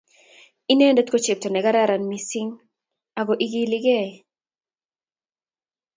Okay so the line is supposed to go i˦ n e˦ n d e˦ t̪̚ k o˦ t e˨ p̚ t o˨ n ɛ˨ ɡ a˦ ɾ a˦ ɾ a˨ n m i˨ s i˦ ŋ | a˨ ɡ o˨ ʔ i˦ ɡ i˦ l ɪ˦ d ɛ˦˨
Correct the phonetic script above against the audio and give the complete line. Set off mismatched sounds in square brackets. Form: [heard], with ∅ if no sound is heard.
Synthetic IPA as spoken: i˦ n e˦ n d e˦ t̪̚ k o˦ [t͡ʃ] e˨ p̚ t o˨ n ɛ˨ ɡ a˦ ɾ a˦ ɾ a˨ n m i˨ s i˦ ŋ | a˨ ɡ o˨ ʔ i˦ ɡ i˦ l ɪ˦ [ɡ] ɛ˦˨